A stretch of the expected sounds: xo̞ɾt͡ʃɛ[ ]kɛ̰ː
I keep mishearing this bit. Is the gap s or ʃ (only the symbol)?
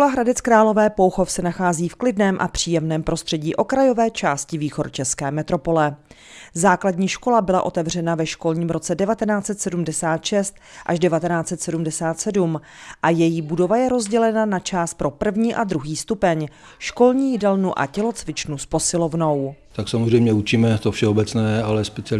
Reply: s